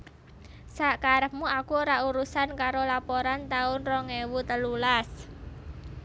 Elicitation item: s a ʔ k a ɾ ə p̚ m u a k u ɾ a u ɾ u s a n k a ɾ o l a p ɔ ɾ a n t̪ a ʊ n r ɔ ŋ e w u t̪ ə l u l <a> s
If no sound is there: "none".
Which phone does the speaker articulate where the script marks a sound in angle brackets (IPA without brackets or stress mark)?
a